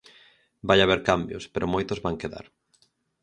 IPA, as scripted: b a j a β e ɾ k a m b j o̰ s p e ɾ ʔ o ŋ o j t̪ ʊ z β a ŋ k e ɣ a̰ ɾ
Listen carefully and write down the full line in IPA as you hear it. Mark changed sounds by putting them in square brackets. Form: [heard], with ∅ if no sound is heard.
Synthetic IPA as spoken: b a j a β e ɾ k a m b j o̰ s p e ɾ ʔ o [m] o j t̪ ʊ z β a ŋ k e [ð] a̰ ɾ